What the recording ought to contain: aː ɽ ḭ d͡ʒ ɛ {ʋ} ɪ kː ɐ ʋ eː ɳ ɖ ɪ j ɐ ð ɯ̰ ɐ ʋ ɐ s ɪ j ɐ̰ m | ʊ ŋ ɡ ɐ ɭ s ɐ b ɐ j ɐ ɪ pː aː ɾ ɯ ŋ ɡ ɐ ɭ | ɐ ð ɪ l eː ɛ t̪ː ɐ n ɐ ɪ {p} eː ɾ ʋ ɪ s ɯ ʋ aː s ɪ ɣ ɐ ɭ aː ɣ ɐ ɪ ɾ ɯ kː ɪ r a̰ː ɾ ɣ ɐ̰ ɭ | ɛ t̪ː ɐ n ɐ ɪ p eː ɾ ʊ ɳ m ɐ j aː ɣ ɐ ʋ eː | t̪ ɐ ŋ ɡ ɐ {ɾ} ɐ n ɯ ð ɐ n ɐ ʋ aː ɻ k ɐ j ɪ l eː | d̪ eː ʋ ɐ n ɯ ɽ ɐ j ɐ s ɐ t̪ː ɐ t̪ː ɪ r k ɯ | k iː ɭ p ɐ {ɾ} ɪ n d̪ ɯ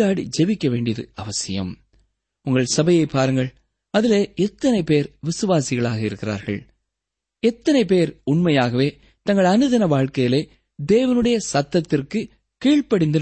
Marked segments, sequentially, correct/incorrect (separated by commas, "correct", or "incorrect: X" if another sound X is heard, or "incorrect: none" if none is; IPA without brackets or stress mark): correct, correct, incorrect: ɭ, incorrect: ɽ